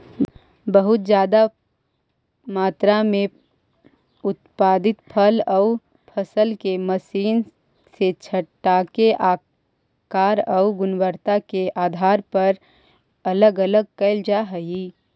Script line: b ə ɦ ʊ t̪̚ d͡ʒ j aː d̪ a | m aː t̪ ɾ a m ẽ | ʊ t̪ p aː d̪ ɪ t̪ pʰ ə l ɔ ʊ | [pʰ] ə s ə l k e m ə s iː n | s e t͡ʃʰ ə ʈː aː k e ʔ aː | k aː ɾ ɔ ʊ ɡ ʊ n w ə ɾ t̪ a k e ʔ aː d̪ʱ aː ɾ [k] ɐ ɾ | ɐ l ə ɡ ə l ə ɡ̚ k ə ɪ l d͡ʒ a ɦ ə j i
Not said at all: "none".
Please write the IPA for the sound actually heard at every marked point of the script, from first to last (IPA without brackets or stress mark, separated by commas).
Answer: pʰ, p